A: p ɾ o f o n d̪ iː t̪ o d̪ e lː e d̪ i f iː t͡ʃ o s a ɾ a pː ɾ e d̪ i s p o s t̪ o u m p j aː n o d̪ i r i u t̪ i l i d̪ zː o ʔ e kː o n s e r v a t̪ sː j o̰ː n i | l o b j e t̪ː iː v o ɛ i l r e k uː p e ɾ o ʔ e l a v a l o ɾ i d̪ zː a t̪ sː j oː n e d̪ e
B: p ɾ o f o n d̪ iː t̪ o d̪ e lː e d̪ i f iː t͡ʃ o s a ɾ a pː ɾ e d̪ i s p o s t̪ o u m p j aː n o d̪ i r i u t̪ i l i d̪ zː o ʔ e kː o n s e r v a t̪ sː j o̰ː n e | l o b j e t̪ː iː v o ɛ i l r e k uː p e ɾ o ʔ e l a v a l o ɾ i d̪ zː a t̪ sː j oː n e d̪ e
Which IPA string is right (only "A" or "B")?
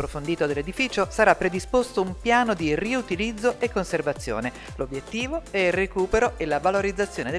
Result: B